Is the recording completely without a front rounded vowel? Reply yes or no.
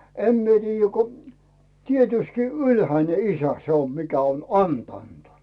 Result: no